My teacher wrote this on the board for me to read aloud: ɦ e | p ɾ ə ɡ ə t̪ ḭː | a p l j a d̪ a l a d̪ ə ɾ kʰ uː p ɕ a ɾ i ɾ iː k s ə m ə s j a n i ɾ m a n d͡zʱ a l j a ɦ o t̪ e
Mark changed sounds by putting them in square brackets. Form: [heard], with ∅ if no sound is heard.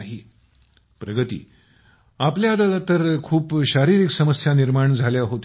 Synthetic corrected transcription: ɦ [i] | p ɾ ə ɡ ə t̪ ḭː | a p l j a d̪ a l a [t̪] ə ɾ kʰ uː p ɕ a ɾ i ɾ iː k s ə m ə s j a n i ɾ m a [ɳ] d͡zʱ a l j a ɦ o t̪ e